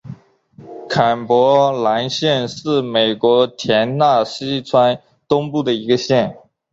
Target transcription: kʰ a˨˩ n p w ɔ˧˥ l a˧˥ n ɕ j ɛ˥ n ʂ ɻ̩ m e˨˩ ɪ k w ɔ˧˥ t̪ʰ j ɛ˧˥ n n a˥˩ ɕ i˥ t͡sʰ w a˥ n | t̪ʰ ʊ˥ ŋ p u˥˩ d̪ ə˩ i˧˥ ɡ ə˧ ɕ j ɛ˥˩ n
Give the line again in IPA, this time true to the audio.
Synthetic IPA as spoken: kʰ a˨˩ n p w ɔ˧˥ l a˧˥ n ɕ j ɛ˥˧ n ʂ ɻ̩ m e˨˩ ɪ k w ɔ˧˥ t̪ʰ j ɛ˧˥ n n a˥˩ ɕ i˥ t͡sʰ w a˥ n | t̪ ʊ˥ ŋ p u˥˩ d̪ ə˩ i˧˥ ɡ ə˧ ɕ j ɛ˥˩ n

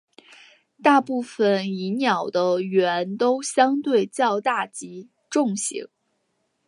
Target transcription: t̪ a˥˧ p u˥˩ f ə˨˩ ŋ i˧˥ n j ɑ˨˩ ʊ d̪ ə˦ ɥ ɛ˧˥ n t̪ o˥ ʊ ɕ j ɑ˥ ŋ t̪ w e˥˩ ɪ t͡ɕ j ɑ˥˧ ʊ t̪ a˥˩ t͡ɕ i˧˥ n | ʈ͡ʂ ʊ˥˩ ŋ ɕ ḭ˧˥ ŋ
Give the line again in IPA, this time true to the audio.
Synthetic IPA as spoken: t̪ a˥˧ p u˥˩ f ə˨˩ n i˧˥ n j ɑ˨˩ ʊ d̪ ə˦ ɥ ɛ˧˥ n t̪ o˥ ʊ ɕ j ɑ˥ ŋ t̪ w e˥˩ ɪ t͡ɕ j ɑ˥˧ ʊ t̪ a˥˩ t͡ɕ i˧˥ | ʈ͡ʂ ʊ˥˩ ŋ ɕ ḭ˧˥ ŋ

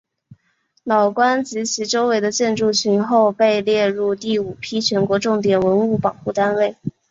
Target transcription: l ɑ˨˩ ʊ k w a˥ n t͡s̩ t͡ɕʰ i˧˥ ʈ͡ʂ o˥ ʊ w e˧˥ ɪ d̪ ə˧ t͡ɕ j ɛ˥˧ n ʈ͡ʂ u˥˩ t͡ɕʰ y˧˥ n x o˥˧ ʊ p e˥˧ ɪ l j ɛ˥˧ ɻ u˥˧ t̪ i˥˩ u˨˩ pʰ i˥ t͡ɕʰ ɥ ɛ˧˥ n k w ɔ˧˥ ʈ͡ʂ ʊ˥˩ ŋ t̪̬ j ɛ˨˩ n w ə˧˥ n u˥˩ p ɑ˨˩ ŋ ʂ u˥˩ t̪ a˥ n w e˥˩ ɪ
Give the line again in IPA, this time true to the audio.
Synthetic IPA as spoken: l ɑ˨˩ ʊ k w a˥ n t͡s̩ t͡ɕʰ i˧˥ ʈ͡ʂ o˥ ʊ w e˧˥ ɪ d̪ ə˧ t͡ɕ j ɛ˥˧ n ʈ͡ʂ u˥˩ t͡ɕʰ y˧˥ n x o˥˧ ʊ p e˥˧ ɪ l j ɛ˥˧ ɻ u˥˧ t̪ i˥˩ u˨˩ pʰ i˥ t͡ɕʰ ɥ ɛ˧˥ n k w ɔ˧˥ ʈ͡ʂ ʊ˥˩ ŋ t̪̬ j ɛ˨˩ n w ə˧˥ n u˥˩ p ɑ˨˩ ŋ x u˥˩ t̪ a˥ n w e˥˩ ɪ

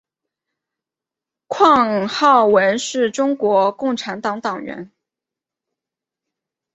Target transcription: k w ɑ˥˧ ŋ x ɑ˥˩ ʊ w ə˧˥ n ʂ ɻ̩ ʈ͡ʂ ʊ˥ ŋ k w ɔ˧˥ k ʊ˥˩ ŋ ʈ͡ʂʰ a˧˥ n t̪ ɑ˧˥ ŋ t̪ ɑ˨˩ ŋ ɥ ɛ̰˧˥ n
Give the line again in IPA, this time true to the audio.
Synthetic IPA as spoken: kʰ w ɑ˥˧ ŋ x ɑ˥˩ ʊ w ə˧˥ n ʂ ɻ̩ ʈ͡ʂ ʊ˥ ŋ k w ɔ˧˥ k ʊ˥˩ ŋ ʈ͡ʂʰ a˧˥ n t̪ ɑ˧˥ ŋ t̪ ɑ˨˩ ŋ ɥ ɛ̰˧˥ n

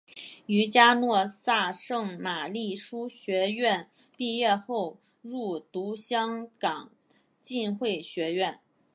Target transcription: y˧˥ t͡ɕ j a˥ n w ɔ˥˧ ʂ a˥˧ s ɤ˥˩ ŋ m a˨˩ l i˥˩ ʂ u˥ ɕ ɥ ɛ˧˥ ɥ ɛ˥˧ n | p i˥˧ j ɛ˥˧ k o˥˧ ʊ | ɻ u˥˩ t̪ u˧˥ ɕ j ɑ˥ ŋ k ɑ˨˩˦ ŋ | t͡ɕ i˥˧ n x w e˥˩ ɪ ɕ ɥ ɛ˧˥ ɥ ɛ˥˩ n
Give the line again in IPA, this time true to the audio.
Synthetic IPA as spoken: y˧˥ t͡ɕ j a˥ n w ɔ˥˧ s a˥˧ ʂ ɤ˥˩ ŋ m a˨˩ l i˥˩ ʂ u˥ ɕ ɥ ɛ˧˥ ɥ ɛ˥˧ n | p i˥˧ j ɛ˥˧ x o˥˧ ʊ | ɻ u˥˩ t̪ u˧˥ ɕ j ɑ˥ ŋ k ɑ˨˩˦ ŋ | t͡ɕ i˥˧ n x w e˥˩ ɪ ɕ ɥ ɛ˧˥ ɥ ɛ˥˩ n

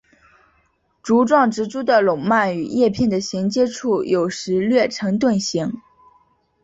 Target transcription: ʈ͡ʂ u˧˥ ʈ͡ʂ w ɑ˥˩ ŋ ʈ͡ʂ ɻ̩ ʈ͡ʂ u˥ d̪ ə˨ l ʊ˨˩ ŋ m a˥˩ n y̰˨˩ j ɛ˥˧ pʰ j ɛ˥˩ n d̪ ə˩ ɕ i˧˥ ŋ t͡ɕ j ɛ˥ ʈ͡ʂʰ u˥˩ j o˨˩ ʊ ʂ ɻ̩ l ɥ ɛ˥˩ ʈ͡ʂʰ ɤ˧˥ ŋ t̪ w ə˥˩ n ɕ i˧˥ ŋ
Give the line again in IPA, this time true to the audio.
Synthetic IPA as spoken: ʈ͡ʂ u˧˥ ʈ͡ʂ w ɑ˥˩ ŋ ʈ͡ʂ ɻ̩ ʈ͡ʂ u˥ d̪ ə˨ l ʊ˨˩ ŋ m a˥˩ n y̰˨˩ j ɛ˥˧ pʰ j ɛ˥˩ n d̪ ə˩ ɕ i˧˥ ŋ t͡ɕ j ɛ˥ ʈ͡ʂʰ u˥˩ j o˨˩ ʊ ʂ ɻ̩ l ɥ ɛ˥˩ ʈ͡ʂʰ ɤ˧˥ ŋ t̪ w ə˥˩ n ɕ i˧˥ ŋ

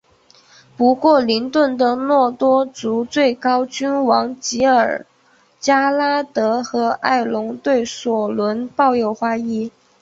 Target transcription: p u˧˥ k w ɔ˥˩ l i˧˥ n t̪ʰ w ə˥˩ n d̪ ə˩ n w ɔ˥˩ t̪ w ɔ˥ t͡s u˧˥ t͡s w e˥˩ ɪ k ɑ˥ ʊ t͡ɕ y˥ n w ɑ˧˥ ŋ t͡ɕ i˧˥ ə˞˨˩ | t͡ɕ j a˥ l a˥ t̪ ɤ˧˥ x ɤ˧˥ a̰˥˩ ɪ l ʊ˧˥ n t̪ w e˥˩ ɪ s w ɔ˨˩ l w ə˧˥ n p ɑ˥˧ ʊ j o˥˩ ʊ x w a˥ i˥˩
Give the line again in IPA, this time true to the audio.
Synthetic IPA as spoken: p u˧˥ k w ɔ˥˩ l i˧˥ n t̪ w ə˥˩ n d̪ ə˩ n w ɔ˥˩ t̪ w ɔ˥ t͡s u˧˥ t͡s w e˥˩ ɪ k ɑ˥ ʊ t͡ɕ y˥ n w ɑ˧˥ ŋ t͡ɕ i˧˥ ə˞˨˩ | t͡ɕ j a˥ l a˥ t̪ ɤ˧˥ x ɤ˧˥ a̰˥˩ ɪ l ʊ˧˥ ŋ t̪ w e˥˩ ɪ s w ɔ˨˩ l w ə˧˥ n p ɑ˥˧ ʊ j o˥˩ ʊ x w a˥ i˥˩

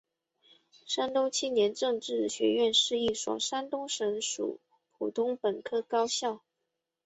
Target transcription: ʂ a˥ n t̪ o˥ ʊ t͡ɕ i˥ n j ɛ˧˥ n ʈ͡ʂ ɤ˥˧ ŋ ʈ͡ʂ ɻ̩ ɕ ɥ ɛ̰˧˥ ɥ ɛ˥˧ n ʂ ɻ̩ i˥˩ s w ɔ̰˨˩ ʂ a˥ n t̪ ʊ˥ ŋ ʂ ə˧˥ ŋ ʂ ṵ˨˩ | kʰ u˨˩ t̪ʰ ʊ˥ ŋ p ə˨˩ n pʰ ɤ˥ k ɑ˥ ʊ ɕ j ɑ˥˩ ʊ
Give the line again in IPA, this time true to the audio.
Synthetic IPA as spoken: ʂ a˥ n t̪ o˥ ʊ t͡ɕʰ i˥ n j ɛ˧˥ n ʈ͡ʂ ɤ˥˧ ŋ ʈ͡ʂ ɻ̩ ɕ ɥ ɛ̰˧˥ ɥ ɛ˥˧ n ʂ ɻ̩ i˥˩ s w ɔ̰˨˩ ʂ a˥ n t̪ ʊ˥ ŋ ʂ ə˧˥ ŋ ʂ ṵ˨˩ | pʰ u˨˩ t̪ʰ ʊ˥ ŋ p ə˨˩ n kʰ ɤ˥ k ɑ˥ ʊ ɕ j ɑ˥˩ ʊ

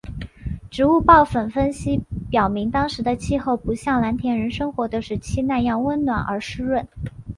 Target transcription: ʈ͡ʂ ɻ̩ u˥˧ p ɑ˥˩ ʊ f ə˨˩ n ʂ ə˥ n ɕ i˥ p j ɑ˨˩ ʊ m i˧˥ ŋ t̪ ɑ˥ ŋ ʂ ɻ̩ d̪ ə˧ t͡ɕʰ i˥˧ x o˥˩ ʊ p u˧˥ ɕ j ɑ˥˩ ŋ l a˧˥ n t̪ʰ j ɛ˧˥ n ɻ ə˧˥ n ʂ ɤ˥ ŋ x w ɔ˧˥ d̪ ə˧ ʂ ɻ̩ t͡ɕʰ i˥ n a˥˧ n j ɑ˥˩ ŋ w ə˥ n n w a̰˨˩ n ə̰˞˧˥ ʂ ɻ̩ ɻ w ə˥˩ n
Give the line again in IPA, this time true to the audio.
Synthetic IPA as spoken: ʈ͡ʂ ɻ̩ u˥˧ p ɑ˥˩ ʊ f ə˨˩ n f ə˥ n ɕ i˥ p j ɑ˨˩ ʊ m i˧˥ ŋ t̪ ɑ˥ ŋ ʂ ɻ̩ d̪ ə˧ t͡ɕʰ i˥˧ x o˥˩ ʊ p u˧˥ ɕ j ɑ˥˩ ŋ l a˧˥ n t̪ʰ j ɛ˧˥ n ɻ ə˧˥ n ʂ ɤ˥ ŋ x w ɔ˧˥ d̪ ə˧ ʂ ɻ̩ t͡ɕʰ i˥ n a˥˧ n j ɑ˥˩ ŋ w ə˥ n n w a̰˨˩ n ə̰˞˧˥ ʂ ɻ̩ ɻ w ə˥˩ n

